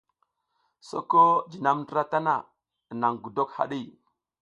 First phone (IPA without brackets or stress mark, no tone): s